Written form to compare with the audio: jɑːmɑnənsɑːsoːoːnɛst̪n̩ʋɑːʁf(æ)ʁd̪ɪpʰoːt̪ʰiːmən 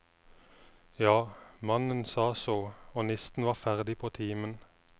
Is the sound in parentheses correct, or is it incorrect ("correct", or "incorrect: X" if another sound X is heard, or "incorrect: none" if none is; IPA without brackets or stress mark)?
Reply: correct